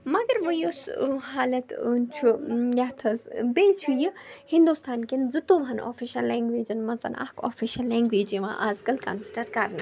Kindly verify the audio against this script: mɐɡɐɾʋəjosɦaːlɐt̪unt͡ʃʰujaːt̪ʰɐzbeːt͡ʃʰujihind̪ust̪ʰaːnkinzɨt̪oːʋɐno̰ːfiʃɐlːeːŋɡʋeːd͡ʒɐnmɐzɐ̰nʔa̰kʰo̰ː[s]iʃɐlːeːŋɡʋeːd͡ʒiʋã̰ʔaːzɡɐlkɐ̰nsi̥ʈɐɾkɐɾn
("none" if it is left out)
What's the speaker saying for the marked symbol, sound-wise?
f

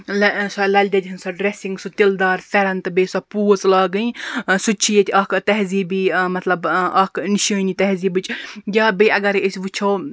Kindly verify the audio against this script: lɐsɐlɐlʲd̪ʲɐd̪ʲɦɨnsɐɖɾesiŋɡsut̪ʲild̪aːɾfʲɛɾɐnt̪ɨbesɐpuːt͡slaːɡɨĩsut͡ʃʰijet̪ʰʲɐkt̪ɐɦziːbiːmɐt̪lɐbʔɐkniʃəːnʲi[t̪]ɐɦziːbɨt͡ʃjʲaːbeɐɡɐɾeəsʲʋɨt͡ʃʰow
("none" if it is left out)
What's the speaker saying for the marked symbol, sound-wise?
t̪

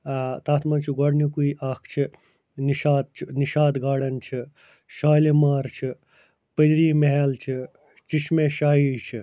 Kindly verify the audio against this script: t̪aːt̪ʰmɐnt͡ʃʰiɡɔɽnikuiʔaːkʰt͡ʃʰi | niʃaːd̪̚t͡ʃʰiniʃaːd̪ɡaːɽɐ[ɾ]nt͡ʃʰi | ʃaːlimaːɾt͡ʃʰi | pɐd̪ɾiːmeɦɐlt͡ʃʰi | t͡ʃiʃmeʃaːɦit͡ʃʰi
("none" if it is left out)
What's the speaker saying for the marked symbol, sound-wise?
none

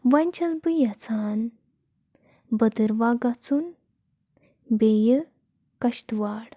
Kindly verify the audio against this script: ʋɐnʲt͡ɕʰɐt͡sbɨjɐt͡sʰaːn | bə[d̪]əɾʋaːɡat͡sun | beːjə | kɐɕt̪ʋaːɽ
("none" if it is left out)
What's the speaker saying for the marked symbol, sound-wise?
d̪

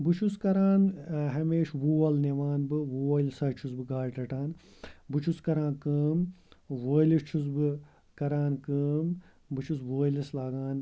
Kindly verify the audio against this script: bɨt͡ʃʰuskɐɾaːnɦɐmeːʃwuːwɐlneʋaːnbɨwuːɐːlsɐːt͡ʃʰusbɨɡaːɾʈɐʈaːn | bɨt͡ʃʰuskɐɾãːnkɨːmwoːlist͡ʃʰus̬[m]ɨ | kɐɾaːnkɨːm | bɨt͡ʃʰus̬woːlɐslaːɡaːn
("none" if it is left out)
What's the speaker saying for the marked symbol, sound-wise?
b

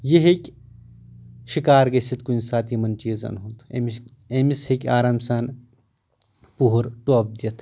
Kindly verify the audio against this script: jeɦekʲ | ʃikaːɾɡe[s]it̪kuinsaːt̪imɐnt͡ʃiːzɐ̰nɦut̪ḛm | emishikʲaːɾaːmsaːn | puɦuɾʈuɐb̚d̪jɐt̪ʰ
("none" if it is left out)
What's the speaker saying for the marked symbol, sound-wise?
s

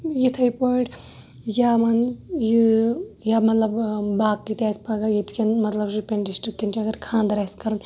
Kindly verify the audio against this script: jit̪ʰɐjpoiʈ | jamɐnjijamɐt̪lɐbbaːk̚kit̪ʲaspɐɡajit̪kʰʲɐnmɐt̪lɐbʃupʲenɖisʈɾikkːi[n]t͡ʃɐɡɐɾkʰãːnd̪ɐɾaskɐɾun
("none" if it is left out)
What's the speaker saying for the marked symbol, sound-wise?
n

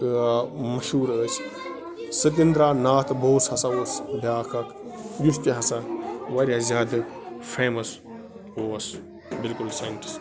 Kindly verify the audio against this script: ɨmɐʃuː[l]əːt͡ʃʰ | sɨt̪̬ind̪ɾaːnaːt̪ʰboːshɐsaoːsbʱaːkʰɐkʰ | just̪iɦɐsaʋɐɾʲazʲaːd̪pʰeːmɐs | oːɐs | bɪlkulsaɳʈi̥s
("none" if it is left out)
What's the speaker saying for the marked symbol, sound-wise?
ɾ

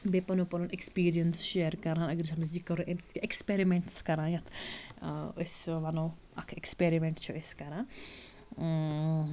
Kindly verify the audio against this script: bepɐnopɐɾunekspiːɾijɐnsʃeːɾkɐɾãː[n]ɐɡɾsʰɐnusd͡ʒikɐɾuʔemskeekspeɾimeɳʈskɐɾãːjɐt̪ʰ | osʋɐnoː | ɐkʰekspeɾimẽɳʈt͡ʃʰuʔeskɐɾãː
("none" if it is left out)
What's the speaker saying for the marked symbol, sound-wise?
n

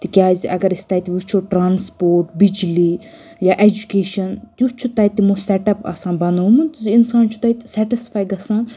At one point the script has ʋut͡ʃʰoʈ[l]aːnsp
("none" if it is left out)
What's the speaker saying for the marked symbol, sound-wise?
ɾ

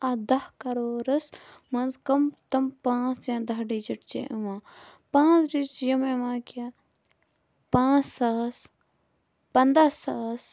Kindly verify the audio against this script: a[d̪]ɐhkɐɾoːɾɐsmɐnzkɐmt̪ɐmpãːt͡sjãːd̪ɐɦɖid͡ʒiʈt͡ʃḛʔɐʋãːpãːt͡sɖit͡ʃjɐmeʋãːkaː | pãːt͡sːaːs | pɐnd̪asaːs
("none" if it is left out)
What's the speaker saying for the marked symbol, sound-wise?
d̪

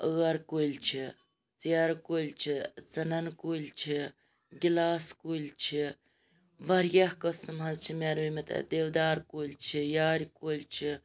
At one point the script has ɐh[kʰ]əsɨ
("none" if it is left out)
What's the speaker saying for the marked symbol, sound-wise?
k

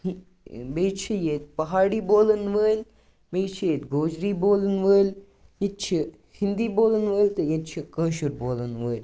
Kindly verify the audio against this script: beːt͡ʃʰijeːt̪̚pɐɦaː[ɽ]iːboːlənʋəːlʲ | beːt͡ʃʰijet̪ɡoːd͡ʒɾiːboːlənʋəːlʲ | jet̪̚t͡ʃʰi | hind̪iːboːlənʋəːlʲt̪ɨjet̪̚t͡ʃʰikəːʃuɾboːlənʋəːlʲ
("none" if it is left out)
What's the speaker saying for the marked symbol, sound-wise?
ɽ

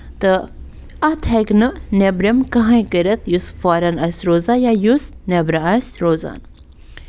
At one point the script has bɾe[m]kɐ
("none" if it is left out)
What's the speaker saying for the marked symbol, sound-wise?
m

